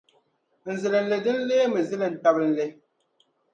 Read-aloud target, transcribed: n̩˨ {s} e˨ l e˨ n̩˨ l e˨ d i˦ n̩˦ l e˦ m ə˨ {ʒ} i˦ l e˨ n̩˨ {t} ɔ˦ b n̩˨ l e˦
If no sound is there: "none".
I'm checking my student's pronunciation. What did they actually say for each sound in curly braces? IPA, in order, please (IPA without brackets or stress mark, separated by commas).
z, z, t